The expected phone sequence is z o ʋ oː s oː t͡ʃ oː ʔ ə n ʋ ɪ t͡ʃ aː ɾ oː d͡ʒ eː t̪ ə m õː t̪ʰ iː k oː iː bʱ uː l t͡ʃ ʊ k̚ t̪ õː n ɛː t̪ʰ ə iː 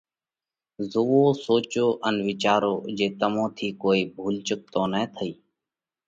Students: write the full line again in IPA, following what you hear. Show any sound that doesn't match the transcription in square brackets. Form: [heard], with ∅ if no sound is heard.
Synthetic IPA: z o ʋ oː s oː t͡ʃ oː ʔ ə n ʋ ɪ t͡ʃ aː ɾ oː d͡ʒ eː t̪ ə m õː t̪ʰ iː k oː iː bʱ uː l t͡ʃ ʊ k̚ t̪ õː n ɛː t̪ʰ ə iː